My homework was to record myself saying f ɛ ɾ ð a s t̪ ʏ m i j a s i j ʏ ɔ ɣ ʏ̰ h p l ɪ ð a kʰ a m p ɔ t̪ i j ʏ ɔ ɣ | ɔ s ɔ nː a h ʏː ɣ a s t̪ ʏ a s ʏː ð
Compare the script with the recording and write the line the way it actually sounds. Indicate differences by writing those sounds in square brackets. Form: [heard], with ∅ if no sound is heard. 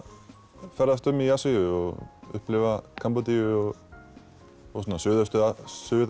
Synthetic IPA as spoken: f ɛ ɾ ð a s t̪ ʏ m i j a s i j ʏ ɔ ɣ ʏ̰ h p l ɪ [v] a kʰ a m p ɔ t̪ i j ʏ ɔ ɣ | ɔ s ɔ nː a [s] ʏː [ð] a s t̪ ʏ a s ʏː ð